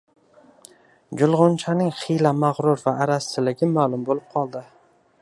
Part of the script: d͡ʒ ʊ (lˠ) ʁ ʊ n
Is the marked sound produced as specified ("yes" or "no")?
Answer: yes